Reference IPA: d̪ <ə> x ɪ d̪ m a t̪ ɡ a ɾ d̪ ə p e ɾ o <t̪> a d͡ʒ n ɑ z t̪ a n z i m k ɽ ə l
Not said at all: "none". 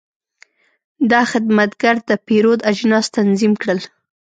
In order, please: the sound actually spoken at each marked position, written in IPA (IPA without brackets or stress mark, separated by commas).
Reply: ɑ, d̪